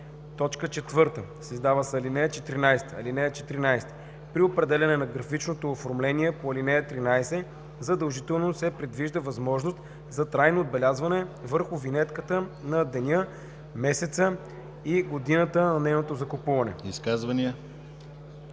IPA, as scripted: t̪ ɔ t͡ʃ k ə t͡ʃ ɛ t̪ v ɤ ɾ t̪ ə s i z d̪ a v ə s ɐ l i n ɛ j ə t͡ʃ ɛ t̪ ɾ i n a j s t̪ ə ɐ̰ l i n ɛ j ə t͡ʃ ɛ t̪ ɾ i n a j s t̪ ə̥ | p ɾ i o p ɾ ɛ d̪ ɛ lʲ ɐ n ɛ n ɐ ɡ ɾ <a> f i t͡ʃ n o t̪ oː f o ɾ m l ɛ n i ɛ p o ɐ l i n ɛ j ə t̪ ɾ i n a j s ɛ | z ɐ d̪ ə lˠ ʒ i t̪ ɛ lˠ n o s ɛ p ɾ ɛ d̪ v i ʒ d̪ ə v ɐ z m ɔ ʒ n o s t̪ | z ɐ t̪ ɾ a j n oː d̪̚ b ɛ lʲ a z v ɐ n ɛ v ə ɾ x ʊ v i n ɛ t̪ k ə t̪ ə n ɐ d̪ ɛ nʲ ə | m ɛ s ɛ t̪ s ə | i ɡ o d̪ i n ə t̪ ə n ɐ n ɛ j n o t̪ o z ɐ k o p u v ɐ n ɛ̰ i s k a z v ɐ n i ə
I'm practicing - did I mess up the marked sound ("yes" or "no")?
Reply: yes